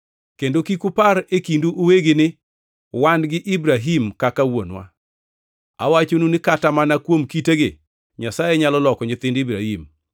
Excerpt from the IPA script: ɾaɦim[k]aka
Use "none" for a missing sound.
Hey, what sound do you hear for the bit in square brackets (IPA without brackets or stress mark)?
k